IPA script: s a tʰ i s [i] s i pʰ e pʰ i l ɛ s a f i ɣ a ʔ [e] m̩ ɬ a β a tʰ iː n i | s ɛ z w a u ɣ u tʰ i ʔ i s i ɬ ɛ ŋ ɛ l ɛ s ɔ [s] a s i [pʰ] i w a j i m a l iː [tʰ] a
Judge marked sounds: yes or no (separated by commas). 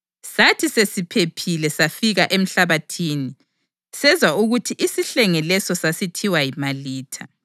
no, yes, yes, no, yes